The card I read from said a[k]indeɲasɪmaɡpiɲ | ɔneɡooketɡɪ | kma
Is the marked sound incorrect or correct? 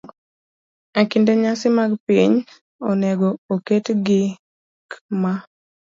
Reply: correct